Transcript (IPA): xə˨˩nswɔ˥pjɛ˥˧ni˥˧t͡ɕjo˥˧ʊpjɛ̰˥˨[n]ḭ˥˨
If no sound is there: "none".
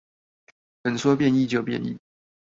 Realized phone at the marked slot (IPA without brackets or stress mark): n